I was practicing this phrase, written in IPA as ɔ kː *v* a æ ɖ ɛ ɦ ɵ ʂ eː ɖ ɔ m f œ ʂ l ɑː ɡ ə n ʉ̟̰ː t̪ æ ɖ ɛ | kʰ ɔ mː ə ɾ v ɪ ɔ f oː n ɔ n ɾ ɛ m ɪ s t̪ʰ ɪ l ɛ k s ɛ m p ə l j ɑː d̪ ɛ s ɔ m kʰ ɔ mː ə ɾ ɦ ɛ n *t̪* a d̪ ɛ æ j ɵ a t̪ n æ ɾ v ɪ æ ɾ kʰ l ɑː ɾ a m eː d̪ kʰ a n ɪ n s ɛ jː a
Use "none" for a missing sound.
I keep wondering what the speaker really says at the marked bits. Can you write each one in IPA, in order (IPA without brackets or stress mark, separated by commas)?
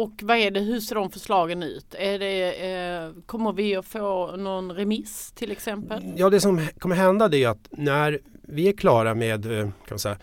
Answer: v, d̪